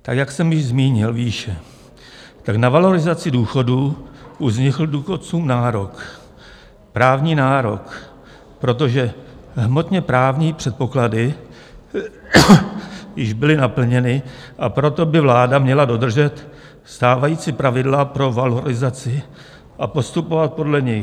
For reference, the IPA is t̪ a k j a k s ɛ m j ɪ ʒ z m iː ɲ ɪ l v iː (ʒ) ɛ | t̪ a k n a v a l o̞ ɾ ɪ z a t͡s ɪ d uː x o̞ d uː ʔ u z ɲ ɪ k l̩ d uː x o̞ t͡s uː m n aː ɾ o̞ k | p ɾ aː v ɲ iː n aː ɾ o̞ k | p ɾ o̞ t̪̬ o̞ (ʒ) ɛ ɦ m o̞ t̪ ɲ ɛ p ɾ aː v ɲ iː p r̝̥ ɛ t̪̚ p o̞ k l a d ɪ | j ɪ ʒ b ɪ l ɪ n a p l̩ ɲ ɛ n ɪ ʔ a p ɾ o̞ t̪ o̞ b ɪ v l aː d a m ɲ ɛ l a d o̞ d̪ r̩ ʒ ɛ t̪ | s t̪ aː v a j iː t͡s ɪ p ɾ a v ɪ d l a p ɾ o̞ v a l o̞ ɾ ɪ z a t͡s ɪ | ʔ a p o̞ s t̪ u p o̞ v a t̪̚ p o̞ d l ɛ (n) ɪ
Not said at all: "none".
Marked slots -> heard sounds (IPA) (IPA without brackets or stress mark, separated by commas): ʃ, ʒ, ɲ